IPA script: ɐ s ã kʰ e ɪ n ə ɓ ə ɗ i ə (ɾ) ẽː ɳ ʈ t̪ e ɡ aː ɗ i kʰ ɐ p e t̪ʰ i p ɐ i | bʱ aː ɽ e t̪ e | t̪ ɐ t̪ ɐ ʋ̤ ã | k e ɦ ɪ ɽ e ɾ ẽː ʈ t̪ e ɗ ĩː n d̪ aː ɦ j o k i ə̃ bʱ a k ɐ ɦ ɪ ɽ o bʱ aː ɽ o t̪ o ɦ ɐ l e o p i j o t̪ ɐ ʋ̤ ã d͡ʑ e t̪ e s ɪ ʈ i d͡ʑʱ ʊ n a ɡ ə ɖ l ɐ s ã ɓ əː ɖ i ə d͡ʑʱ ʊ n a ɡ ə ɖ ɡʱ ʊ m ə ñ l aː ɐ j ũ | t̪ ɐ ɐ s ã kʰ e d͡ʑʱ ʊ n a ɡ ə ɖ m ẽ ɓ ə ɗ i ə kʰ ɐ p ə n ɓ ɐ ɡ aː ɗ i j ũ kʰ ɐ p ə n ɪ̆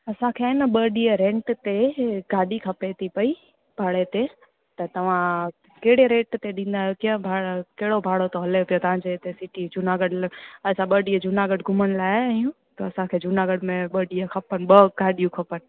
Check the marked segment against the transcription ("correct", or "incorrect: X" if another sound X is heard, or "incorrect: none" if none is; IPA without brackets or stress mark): correct